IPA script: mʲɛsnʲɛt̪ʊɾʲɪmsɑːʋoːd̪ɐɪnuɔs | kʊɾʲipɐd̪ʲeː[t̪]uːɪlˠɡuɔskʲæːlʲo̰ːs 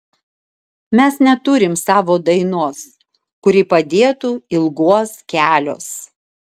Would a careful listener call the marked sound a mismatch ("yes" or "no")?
no